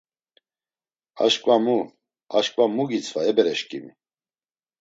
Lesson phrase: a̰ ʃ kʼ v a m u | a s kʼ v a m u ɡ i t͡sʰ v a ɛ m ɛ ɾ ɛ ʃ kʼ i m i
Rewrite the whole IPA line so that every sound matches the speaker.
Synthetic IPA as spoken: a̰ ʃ kʼ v a m u | a ʃ kʼ v a m u ɡ i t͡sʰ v a ɛ b ɛ ɾ ɛ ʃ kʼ i m i